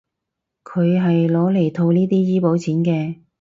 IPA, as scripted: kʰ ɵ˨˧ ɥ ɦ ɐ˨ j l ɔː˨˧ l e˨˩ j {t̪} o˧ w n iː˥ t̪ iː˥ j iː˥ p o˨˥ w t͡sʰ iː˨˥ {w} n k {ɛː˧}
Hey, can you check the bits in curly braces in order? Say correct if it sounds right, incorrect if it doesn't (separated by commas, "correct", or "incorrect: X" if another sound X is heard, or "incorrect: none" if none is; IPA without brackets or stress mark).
incorrect: t̪ʰ, incorrect: none, correct